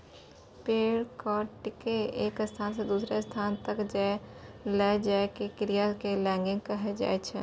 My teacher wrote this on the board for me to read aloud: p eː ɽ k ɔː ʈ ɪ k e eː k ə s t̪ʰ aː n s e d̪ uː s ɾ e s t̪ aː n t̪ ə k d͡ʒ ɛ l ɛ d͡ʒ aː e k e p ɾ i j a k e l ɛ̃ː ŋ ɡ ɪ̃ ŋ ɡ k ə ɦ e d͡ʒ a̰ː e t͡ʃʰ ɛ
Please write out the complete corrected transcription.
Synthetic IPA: p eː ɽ k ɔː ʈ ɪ k e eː k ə s t̪ʰ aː n s e d̪ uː s ɾ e s t̪ʰ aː n t̪ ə k d͡ʒ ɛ l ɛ d͡ʒ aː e k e k ɾ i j a k e l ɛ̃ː ŋ ɡ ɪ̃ ŋ ɡ k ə ɦ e d͡ʒ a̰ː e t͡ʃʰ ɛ

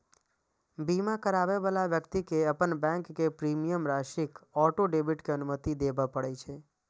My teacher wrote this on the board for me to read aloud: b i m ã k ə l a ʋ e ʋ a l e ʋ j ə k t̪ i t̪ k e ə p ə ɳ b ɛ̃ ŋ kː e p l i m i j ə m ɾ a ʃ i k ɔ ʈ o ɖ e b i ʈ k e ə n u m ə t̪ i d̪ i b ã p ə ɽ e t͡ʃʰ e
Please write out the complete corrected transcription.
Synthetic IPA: b i m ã k ə ɾ a ʋ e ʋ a l a ʋ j ə k t̪ i k e ə p ə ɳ b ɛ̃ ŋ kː e p ɾ i m i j ə m ɾ a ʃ i k ɔ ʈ o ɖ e b i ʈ k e ə n u m ə t̪ i d̪ e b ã p ə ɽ e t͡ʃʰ e

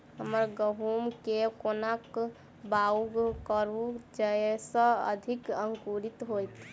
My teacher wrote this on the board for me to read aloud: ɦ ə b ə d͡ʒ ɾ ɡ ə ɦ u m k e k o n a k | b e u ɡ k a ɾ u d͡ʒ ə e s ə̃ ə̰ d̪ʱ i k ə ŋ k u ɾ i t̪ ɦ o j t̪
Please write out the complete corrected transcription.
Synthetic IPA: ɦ ə m ə ɾ ɡ ə ɦ u m k e k o n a k | b a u ɡ k ə ɾ u d͡ʒ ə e s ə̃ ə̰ d̪ʱ i k ə ŋ k u ɾ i t̪ ɦ o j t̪

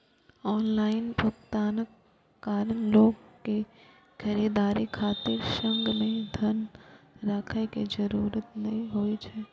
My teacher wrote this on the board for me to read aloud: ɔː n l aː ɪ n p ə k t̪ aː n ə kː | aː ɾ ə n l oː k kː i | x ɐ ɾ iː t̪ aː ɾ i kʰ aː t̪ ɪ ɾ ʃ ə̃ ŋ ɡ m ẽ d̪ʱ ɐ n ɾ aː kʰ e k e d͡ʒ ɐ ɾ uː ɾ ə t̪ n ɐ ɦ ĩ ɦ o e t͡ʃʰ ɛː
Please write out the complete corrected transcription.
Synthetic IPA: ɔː n l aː ɪ n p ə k t̪ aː n ə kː | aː ɾ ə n l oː ɡ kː e | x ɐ ɾ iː d̪ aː ɾ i kʰ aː t̪ ɪ ɾ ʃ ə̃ ŋ ɡ m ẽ d̪ʱ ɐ n ɾ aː kʰ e k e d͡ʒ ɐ ɾ uː ɾ ə t̪ n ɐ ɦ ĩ ɦ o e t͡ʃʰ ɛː

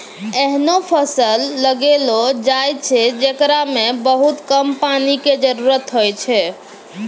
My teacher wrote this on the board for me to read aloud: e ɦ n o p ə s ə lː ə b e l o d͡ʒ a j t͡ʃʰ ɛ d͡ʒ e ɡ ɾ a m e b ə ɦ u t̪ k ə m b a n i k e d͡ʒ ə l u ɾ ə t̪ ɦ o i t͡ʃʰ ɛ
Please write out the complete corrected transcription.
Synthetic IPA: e ɦ n o pʰ ə s ə lː ə ɡ e l o d͡ʒ a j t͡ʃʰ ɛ d͡ʒ e k ɾ a m e b ə ɦ u t̪ k ə m p a n i k e d͡ʒ ə ɾ u ɾ ə t̪ ɦ o j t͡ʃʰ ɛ

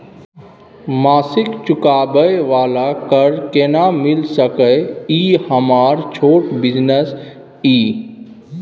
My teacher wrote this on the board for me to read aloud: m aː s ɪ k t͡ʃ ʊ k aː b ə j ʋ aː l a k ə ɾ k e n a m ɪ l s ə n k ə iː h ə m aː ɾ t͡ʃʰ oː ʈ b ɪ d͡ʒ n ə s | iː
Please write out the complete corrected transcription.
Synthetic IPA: m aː s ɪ k t͡ʃ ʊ k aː b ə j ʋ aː l a k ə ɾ k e n a m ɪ l s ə k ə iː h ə m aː ɾ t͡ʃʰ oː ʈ b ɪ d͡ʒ n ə s | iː

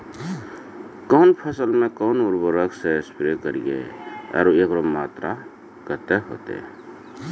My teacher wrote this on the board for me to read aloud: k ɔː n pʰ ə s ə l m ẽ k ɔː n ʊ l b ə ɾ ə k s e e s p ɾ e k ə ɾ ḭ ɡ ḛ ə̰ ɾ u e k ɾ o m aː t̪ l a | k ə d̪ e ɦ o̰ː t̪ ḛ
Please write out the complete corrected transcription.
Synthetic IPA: k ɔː n pʰ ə s ə l m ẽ k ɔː n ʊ ɾ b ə ɾ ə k s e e s p ɾ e k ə ɾ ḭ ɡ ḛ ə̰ ɾ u e k ɾ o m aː t̪ ɾ a | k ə t̪ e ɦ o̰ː t̪ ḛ

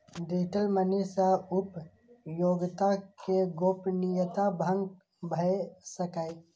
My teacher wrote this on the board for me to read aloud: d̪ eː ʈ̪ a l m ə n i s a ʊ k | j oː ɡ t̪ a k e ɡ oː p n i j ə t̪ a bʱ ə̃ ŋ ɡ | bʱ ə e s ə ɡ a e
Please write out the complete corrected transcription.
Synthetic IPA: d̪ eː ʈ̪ ə l m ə n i s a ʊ p | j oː ɡ t̪ a k e ɡ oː p n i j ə t̪ a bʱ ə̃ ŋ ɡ | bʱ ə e s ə k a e

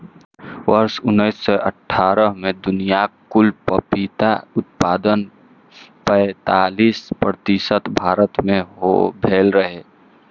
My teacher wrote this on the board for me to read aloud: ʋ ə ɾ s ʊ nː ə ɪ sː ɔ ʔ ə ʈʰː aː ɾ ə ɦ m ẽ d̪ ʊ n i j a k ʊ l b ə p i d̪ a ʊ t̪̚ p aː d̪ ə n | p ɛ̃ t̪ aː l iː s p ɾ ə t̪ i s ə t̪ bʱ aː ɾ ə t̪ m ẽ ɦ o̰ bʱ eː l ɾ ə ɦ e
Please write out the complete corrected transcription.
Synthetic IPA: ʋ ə ɾ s ʊ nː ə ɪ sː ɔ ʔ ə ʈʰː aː ɾ ə ɦ m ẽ d̪ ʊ n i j a k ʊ l p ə p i t̪ a ʊ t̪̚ p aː d̪ ə n | p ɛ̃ t̪ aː l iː s p ɾ ə t̪ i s ə t̪ bʱ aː ɾ ə t̪ m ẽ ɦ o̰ bʱ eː l ɾ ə ɦ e

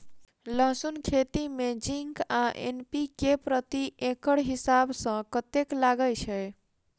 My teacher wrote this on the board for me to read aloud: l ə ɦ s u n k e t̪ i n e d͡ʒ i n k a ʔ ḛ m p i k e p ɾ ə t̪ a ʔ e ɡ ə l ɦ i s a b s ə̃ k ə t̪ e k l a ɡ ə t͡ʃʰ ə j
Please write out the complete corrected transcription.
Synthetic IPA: l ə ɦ s u n kʰ e t̪ i m e d͡ʒ i ŋ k a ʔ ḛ n p i k e p ɾ ə t̪ i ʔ e k ə ɽ ɦ i s a b s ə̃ k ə t̪ e k l a ɡ ə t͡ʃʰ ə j

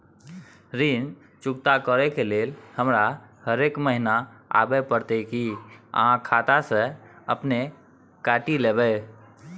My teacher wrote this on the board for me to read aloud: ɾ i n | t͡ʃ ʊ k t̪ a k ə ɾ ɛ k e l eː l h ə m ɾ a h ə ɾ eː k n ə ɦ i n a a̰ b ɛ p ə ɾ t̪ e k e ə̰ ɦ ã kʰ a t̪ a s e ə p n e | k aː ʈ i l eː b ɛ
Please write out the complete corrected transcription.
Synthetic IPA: ɾ i n | t͡ʃ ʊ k t̪ a k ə ɾ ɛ k e l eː l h ə m ɾ a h ə ɾ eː k m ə ɦ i n a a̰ b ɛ p ə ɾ t̪ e k i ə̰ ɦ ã kʰ a t̪ a s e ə p n e | k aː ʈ i l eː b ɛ

